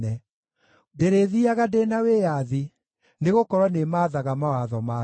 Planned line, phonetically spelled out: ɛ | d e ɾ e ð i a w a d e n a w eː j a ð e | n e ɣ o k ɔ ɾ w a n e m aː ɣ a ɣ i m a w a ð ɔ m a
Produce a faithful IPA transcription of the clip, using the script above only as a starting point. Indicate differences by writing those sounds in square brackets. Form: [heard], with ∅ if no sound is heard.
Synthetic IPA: ɛ | d e ɾ e ð i a [ɣ] a d e n a w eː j a ð [i] | n e ɣ o k ɔ ɾ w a n e m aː [ð] a ɣ [a] m a w a ð ɔ m a